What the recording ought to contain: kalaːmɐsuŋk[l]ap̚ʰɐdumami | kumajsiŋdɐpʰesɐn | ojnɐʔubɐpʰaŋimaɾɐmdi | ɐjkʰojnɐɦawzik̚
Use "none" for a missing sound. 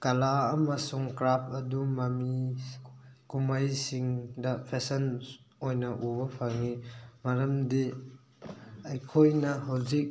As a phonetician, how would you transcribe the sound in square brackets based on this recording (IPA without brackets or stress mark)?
ɾ